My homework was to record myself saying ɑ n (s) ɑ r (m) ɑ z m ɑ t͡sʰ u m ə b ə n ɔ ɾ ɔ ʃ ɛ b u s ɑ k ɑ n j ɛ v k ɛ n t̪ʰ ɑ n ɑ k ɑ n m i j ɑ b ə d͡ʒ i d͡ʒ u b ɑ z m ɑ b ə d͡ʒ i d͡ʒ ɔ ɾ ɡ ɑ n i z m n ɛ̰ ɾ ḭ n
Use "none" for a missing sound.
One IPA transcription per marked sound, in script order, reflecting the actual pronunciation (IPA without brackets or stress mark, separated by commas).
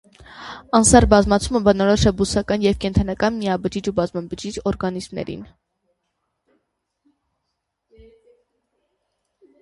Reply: s, b